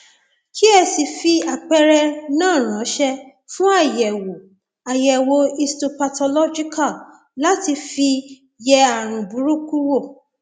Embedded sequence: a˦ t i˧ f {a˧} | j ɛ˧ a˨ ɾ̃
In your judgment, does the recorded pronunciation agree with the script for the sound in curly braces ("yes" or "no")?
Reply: no